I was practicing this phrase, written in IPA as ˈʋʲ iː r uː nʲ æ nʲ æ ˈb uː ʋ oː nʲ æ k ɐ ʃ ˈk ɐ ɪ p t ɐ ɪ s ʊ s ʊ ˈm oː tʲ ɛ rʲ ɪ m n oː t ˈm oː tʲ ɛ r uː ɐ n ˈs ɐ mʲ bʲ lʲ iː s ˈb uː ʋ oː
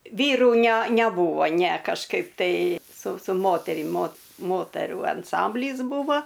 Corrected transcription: ˈʋʲ iː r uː nʲ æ nʲ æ ˈb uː ʋ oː nʲ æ k ɐ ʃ ˈk ɐ ɪ p t ɐ ɪ s ʊ s ʊ ˈm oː tʲ ɛ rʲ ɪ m m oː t ˈm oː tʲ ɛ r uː ɐ n ˈs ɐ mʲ bʲ lʲ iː s ˈb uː ʋ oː

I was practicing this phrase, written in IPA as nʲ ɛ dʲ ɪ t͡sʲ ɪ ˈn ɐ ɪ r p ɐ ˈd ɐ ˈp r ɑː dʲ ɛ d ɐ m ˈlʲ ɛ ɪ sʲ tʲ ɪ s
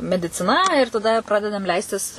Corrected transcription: mʲ ɛ dʲ ɪ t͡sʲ ɪ ˈn ɐ ɪ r t ɐ ˈd ɐ ˈp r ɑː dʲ ɛ d ɐ m ˈlʲ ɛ ɪ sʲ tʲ ɪ s

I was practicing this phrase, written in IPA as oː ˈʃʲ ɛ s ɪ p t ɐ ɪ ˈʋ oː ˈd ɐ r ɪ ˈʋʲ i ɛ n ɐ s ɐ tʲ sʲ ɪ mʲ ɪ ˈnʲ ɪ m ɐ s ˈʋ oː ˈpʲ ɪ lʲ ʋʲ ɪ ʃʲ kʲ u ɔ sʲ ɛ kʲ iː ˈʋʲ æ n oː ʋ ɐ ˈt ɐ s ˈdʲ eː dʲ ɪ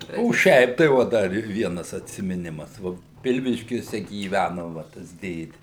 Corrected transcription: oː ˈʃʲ ɛ ɪ p t ɐ ɪ ˈʋ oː ˈd ɐ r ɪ ˈʋʲ i ɛ n ɐ s ɐ tʲ sʲ ɪ mʲ ɪ ˈnʲ ɪ m ɐ s ˈʋ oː ˈpʲ ɪ lʲ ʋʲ ɪ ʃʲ kʲ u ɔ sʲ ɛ ɡʲ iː ˈʋʲ æ n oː ʋ ɐ ˈt ɐ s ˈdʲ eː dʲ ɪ

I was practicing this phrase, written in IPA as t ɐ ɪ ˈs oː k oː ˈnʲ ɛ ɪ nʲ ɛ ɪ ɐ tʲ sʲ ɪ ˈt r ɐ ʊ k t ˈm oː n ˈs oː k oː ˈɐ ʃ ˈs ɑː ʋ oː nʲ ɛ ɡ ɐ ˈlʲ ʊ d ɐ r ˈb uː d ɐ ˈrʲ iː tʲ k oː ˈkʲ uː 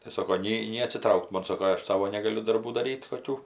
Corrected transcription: t ɐ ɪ ˈs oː k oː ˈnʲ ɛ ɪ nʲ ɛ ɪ ɐ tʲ sʲ ɪ ˈt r ɐ ʊ k t ˈm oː n ˈs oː k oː ˈɐ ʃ ˈs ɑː ʋ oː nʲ ɛ ɡ ɐ ˈlʲ ʊ d ɐ r ˈb uː d ɐ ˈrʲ iː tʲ k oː ˈkʲ uː

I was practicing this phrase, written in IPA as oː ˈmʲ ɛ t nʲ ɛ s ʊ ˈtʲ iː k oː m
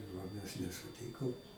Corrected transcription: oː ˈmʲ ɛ s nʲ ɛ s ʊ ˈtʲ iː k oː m

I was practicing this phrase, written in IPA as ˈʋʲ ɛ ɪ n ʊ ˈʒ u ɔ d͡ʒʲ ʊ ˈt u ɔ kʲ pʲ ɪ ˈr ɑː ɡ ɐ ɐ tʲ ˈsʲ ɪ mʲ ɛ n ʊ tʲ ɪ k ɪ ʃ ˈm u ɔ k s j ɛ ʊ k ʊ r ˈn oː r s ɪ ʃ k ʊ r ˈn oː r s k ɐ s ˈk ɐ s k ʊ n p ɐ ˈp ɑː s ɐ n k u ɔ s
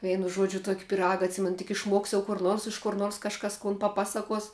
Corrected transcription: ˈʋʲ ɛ ɪ n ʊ ˈʒ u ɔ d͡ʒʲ ʊ ˈt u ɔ kʲ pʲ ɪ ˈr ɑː ɡ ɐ ɐ tʲ ˈsʲ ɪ mʲ ɛ n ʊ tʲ ɪ k ɪ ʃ ˈm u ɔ k s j ɛ ʊ k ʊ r ˈn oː r s ɪ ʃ k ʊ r ˈn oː r s k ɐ ʃ ˈk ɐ s k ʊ n p ɐ ˈp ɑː s ɐ k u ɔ s

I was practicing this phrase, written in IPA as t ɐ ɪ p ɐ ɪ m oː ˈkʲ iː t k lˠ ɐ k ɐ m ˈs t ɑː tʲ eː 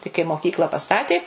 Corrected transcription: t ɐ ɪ k ɐ ɪ m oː ˈkʲ iː k lˠ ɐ p ɐ ˈs t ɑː tʲ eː

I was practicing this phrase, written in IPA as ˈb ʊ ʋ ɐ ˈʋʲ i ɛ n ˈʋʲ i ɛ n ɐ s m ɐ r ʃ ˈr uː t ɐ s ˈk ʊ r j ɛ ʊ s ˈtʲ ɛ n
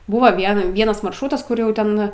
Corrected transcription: ˈb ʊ ʋ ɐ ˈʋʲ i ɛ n ˈʋʲ i ɛ n ɐ s m ɐ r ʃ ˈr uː t ɐ s ˈk ʊ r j ɛ ʊ ˈtʲ ɛ n

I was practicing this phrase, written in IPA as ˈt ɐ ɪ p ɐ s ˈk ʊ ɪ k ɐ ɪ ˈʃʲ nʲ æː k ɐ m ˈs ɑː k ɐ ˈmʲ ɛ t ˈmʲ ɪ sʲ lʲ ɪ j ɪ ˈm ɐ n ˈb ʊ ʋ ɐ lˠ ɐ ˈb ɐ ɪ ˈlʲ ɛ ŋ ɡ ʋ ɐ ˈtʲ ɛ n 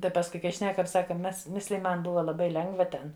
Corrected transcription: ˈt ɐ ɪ p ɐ s ˈk ʊ ɪ k ɐ ɪ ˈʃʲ nʲ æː k ɐ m ˈs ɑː k ɐ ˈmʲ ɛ s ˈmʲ ɪ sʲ lʲ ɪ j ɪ ˈm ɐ n ˈb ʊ ʋ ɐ lˠ ɐ ˈb ɐ ɪ ˈlʲ ɛ ŋ ɡ ʋ ɐ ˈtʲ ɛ n

